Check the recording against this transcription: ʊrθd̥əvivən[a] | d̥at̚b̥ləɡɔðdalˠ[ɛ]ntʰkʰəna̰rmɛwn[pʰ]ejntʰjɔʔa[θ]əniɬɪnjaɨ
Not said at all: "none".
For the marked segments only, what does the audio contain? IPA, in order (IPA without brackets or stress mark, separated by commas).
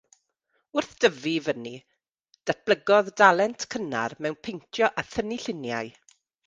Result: i, ɛ, pʰ, θ